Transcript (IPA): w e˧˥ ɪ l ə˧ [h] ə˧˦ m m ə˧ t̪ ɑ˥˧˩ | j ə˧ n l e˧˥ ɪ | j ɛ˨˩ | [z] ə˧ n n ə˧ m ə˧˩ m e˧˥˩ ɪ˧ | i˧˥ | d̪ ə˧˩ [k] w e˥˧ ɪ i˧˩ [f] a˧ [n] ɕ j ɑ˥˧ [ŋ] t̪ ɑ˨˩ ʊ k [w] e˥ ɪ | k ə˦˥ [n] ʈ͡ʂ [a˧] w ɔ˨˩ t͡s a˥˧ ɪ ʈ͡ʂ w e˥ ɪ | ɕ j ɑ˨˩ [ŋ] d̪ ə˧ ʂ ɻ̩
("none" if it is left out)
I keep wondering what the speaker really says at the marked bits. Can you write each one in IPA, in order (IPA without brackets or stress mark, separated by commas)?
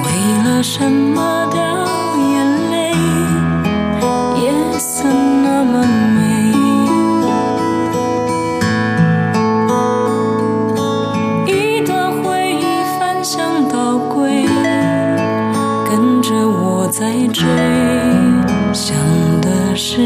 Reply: ʂ, s, x, f, n, ŋ, w, n, ə˧, ŋ